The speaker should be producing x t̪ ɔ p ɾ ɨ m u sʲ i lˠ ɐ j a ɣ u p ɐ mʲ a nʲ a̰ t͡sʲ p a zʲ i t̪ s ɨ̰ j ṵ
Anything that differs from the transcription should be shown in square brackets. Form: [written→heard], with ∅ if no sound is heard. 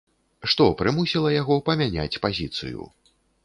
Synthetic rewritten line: [x→ʂ] t̪ ɔ p ɾ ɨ m u sʲ i lˠ ɐ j a ɣ [u→ɔ] p ɐ mʲ a nʲ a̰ t͡sʲ p a zʲ i t̪ s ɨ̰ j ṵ